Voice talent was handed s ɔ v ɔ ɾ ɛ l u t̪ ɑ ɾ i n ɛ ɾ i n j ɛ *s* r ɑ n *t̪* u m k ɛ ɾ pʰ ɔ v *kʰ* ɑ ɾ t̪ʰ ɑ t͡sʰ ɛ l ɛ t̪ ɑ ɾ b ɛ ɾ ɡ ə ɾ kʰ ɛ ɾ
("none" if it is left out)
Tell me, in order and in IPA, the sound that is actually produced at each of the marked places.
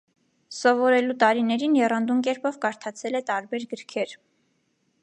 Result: none, d̪, k

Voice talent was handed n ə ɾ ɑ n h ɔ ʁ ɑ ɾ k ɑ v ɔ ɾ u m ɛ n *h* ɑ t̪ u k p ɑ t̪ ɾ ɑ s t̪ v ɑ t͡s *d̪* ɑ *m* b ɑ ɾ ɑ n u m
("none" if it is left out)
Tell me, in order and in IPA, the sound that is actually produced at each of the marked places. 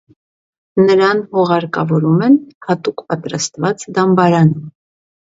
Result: h, d̪, m

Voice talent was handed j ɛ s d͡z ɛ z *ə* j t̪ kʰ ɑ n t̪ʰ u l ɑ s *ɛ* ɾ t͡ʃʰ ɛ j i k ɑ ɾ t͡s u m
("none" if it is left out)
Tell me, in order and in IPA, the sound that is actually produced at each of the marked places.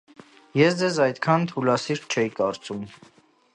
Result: ɑ, i

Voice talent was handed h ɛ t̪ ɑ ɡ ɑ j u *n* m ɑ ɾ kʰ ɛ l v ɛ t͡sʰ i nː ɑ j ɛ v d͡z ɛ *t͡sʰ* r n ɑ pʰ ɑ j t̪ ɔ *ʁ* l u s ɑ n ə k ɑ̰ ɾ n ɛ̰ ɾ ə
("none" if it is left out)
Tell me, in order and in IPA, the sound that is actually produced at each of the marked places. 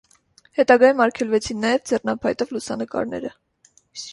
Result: none, none, v

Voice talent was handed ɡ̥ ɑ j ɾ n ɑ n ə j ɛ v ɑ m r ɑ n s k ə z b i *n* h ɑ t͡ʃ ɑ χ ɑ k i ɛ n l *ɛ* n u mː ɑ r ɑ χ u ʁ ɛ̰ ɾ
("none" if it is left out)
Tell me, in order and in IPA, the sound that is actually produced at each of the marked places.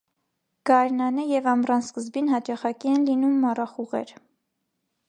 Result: n, i

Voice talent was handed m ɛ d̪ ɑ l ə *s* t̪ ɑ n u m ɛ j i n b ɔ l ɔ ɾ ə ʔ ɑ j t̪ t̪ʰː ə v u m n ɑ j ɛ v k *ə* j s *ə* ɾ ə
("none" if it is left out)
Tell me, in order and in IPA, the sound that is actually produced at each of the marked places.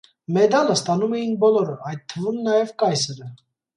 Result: s, ɑ, ə

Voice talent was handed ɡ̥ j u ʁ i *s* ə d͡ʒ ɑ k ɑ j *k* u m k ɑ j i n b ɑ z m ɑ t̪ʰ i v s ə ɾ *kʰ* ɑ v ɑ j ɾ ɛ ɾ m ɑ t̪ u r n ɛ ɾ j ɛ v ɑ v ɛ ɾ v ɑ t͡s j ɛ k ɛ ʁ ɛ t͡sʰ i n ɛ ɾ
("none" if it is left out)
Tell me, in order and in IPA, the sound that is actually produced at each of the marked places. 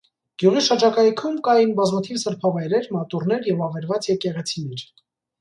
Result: ʃ, kʰ, pʰ

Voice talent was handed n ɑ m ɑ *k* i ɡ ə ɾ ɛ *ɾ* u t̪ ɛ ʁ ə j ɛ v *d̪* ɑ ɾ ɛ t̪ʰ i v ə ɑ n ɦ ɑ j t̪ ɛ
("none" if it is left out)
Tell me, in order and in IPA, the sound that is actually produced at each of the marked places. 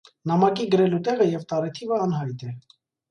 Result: k, l, t̪

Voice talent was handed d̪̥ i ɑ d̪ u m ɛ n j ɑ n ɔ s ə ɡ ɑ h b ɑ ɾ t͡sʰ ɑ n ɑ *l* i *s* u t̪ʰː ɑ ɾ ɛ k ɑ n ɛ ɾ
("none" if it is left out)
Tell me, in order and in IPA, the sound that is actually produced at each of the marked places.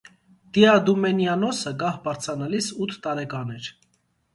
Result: l, s

